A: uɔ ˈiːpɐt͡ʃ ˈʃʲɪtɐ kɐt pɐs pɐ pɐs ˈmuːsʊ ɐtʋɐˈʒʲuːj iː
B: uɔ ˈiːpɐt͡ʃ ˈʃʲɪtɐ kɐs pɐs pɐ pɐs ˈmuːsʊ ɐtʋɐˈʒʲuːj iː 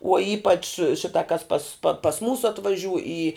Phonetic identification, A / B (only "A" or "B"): B